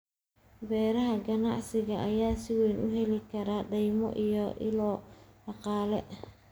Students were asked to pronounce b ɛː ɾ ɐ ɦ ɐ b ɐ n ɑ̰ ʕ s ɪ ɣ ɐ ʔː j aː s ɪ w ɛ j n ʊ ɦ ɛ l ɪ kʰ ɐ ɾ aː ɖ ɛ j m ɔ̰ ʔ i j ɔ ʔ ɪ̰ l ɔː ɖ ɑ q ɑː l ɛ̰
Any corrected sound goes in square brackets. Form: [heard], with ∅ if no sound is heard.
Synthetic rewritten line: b ɛː ɾ ɐ ɦ ɐ [ɡ] ɐ n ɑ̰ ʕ s ɪ ɣ ɐ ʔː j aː s ɪ w ɛ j n ʊ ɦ ɛ l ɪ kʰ ɐ ɾ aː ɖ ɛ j m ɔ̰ ʔ i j ɔ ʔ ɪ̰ l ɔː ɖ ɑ q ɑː l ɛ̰

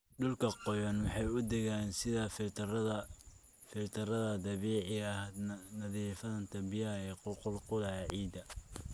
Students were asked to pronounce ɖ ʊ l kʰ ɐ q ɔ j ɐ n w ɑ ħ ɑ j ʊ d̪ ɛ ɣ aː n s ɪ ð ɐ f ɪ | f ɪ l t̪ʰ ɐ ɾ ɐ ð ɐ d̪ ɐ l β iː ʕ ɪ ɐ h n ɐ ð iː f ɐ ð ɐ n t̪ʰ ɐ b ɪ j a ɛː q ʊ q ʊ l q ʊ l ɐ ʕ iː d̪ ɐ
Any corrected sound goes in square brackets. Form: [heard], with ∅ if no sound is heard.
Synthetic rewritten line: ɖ ʊ l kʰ ɐ q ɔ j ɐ n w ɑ ħ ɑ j ʊ d̪ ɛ ɣ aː n s ɪ ð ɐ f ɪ | f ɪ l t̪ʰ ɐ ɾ ɐ ð ɐ d̪ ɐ [∅] β iː ʕ ɪ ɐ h n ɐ ð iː f ɐ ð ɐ n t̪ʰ ɐ b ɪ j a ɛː q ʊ q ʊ l q ʊ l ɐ ʕ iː d̪ ɐ

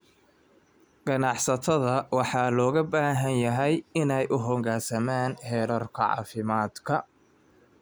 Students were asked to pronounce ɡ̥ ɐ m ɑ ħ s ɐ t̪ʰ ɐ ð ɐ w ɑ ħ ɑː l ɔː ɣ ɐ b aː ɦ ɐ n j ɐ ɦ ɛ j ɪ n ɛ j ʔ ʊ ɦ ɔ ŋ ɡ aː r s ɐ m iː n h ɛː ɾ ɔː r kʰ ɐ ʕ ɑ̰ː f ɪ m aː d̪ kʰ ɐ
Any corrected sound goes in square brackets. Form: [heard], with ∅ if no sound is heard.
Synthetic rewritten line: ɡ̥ ɐ [n] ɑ ħ s ɐ t̪ʰ ɐ ð ɐ w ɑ ħ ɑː l ɔː ɣ ɐ b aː ɦ ɐ n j ɐ ɦ ɛ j ɪ n ɛ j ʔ ʊ ɦ ɔ ŋ ɡ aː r s ɐ m [aː] n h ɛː ɾ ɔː r kʰ ɐ ʕ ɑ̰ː f ɪ m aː d̪ kʰ ɐ

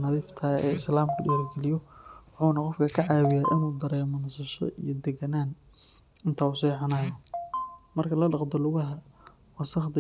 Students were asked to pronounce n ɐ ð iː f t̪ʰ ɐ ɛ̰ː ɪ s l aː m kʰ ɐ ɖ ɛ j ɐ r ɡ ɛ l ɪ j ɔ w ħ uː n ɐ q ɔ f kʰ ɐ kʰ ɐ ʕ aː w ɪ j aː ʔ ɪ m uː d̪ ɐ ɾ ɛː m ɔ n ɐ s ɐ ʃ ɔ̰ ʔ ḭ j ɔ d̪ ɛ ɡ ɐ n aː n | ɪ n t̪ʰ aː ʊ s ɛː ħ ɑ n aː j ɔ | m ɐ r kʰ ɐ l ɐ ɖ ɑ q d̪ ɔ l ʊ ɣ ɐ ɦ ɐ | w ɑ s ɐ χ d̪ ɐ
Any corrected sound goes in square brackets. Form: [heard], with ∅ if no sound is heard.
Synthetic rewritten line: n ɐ ð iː f t̪ʰ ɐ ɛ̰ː ɪ s l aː m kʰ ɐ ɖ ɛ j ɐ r ɡ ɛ l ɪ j ɔ w ħ uː n ɐ q ɔ f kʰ ɐ kʰ ɐ ʕ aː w ɪ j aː ʔ ɪ [n] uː d̪ ɐ ɾ ɛː m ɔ n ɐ s ɐ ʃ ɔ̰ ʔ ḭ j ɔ d̪ ɛ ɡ ɐ n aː n | ɪ n t̪ʰ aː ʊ s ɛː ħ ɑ n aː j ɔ | m ɐ r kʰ ɐ l ɐ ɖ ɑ q d̪ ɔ l ʊ ɣ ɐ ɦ ɐ | w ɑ s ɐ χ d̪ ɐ

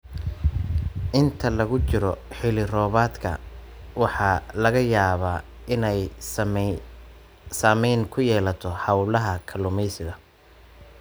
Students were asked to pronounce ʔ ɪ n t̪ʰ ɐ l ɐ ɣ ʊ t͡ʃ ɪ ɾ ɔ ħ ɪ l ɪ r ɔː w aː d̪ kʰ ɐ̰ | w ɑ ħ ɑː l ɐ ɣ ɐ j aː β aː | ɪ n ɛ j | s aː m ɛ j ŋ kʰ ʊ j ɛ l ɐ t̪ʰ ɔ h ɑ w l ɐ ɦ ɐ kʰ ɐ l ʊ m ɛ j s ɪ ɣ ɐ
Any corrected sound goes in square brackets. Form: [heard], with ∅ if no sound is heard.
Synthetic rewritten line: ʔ ɪ n t̪ʰ ɐ l ɐ ɣ ʊ t͡ʃ ɪ ɾ ɔ ħ ɪ l ɪ r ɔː [β] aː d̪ kʰ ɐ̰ | w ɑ ħ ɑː l ɐ ɣ ɐ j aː β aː | ɪ n ɛ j | s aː m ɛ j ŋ kʰ ʊ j [ɛː] l ɐ t̪ʰ ɔ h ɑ w l ɐ ɦ ɐ kʰ ɐ l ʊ m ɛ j s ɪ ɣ ɐ

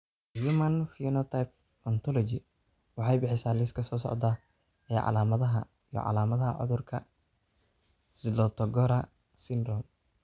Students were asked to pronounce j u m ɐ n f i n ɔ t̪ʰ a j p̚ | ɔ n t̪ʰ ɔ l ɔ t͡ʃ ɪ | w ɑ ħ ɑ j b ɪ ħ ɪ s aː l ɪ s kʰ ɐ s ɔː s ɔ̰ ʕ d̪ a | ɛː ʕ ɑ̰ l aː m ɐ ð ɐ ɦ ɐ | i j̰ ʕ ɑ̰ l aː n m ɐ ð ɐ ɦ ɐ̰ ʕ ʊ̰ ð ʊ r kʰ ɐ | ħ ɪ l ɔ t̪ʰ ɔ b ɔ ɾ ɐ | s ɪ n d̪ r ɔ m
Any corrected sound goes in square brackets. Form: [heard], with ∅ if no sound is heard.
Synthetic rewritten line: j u m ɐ n f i n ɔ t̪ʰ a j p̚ | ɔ n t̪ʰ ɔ l ɔ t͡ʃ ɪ | w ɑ ħ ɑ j b ɪ ħ ɪ s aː l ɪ s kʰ ɐ s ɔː s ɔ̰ ʕ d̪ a | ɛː ʕ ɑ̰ l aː m ɐ ð ɐ ɦ ɐ | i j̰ ʕ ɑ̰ l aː [∅] m ɐ ð ɐ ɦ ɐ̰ ʕ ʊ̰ ð ʊ r kʰ ɐ | [s] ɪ l ɔ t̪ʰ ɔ [ɡ] ɔ ɾ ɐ | s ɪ n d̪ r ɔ m

